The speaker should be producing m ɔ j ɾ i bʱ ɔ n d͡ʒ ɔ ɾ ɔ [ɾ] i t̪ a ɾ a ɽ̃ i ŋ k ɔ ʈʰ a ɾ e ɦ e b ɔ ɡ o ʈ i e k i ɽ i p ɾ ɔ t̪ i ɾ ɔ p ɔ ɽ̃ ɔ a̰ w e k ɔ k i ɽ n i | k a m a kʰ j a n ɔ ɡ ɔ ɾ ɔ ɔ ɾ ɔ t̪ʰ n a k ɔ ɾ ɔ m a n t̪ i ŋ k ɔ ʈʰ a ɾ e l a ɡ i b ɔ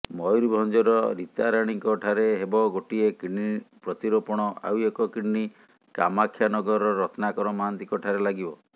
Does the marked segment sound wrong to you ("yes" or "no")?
no